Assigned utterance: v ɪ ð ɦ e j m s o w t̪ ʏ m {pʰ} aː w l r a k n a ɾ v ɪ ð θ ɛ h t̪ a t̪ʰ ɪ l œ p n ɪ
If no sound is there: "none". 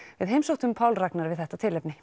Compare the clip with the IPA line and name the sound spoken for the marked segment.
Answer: pʰ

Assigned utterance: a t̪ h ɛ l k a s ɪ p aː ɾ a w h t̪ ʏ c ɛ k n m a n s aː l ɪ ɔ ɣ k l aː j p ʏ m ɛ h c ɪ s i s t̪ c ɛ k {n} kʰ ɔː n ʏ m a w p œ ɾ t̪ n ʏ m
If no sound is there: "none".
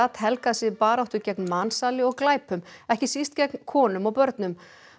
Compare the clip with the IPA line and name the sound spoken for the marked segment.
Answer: n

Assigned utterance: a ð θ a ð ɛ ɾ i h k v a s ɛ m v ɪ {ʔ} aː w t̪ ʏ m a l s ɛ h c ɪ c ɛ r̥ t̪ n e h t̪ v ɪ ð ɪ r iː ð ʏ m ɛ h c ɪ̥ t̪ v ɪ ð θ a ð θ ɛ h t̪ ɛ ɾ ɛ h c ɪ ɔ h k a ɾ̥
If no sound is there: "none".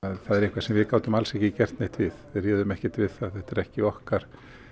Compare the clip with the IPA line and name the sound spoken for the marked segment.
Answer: k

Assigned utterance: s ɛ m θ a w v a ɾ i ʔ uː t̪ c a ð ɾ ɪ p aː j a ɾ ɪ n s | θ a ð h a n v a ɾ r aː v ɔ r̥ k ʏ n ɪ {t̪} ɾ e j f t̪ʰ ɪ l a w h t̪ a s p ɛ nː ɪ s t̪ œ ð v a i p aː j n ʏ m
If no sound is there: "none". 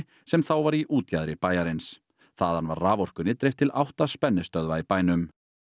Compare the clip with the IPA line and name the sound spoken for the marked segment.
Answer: t̪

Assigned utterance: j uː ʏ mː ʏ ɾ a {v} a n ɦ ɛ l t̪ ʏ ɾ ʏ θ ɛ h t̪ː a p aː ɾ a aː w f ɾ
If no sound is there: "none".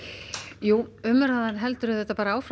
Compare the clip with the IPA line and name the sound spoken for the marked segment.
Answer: ð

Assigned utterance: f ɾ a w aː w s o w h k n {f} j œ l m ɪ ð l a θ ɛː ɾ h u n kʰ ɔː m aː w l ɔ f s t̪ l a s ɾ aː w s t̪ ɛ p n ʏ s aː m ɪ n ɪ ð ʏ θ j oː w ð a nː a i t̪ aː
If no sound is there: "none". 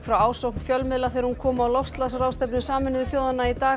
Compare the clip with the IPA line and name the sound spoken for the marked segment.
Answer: f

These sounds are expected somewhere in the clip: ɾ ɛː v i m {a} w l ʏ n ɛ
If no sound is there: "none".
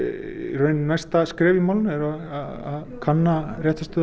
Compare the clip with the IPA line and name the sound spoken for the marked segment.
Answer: a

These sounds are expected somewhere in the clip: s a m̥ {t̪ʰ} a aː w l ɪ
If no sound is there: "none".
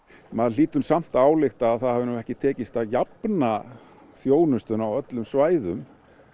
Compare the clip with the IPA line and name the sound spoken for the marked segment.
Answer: t̪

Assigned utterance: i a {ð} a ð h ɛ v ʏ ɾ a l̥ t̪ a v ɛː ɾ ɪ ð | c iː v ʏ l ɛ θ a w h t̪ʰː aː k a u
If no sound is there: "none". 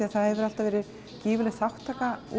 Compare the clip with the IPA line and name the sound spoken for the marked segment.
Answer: θ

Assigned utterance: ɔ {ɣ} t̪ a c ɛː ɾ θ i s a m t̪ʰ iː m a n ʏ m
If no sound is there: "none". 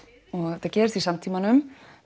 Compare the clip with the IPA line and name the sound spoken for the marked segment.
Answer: ɣ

